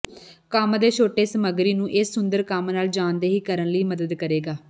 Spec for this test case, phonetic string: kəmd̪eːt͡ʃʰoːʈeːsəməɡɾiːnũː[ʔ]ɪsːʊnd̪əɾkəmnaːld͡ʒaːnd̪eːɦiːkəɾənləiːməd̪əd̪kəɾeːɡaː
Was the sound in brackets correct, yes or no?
yes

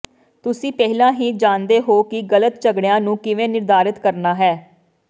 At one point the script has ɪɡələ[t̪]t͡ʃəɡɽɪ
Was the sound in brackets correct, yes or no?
yes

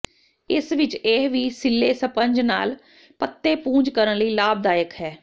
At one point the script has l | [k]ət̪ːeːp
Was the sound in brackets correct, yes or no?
no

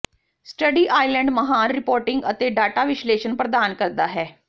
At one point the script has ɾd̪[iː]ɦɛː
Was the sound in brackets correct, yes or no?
no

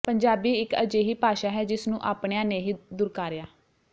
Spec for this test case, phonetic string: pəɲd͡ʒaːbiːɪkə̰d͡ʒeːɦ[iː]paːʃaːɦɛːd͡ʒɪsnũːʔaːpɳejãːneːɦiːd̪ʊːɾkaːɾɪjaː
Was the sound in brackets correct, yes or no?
yes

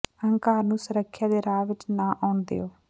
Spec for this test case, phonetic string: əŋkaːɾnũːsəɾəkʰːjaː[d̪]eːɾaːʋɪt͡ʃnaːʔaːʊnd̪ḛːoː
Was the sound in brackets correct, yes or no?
yes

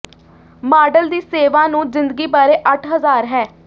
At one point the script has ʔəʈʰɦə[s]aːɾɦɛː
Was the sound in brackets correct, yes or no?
no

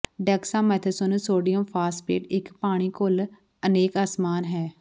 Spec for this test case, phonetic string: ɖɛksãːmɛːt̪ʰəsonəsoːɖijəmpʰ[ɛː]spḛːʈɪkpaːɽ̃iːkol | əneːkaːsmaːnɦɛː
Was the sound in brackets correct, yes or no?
no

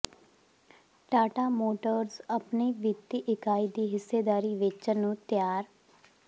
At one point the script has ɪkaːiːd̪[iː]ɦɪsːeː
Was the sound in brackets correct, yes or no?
yes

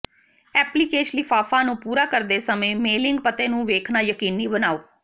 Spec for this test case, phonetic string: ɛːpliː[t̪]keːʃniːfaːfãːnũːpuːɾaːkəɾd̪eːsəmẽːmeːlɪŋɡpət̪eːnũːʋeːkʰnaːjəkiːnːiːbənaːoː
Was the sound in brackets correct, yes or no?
no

